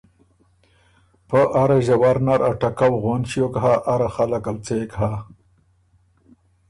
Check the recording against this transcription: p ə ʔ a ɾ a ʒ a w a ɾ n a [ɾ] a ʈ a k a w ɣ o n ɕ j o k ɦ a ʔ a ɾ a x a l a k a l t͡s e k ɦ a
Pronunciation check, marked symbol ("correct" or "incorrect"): correct